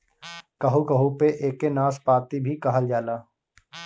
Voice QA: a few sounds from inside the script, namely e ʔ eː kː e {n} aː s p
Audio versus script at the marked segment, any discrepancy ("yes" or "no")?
no